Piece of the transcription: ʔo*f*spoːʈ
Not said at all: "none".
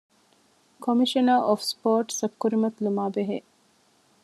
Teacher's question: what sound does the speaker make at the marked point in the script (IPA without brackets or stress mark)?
f